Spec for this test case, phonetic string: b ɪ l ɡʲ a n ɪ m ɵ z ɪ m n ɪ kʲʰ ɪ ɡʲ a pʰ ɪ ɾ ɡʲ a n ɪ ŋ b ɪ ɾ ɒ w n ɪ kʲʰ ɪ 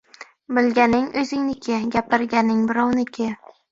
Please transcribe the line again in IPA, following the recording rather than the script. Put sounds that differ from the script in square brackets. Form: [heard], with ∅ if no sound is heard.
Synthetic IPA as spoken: b ɪ l ɡʲ a n ɪ [ŋ] ɵ z ɪ [ŋ] n ɪ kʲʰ ɪ ɡʲ a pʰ ɪ ɾ ɡʲ a n ɪ ŋ b ɪ ɾ ɒ w n ɪ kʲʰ ɪ